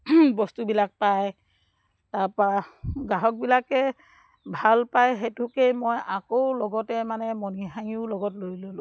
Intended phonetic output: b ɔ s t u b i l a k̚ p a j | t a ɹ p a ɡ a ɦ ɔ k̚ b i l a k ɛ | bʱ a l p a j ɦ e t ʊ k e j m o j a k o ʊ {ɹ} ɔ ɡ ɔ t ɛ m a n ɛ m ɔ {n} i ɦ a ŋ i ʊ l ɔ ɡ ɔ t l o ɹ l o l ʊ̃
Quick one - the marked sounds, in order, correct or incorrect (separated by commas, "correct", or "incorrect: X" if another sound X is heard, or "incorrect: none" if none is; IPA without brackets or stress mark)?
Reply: incorrect: l, correct